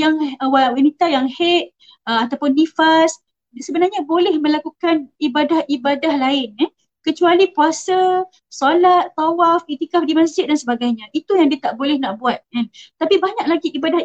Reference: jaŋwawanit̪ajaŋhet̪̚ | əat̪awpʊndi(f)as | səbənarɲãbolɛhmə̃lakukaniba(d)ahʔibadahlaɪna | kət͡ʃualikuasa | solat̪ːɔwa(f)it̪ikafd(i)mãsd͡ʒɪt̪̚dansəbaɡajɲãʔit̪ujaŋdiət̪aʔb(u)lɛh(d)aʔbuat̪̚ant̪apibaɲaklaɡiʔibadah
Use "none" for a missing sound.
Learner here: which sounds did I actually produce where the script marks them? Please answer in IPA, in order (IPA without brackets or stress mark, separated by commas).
f, d, f, i, o, n